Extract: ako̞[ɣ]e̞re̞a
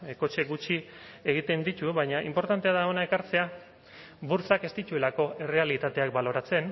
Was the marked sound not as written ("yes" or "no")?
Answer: yes